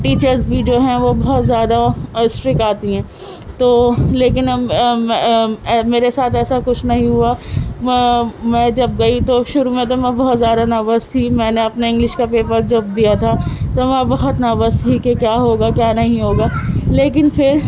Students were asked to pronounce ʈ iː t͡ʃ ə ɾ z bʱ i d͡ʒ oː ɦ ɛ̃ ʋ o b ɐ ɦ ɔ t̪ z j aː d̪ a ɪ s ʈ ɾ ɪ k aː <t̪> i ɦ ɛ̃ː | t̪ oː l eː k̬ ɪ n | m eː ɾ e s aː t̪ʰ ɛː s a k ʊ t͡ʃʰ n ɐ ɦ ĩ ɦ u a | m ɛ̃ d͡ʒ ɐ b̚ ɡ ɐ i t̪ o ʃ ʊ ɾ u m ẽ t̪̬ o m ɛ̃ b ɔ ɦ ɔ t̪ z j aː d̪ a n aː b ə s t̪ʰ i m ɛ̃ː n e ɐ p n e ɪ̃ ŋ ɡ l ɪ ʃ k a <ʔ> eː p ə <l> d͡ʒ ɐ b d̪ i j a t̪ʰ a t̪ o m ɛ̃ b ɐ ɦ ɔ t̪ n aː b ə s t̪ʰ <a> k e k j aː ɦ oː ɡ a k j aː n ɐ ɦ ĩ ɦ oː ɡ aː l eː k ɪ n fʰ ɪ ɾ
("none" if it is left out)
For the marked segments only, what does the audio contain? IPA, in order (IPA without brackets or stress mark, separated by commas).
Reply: t̪, p, ɾ, i